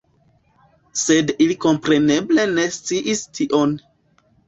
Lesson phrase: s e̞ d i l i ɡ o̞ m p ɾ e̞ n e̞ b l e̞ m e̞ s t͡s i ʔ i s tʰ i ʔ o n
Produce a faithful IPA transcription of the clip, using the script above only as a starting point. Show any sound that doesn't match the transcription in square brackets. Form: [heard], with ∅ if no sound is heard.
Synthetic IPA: s e̞ d i l i [k] o̞ m p ɾ e̞ n e̞ b l e̞ [n] e̞ s t͡s i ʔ i s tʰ i ʔ o n